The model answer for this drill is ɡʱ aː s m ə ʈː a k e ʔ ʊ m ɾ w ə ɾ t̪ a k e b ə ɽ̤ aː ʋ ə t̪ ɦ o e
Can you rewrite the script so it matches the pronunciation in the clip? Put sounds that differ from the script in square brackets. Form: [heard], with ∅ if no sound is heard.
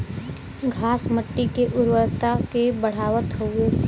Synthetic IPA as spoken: ɡʱ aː s m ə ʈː [i] k e ʔ ʊ [∅] ɾ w ə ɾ t̪ a k e b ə ɽ̤ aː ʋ ə t̪ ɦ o e